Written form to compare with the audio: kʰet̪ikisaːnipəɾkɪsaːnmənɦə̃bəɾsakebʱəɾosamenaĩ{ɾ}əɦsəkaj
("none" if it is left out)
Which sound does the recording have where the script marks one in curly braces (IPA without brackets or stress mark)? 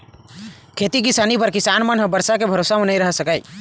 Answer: ɾ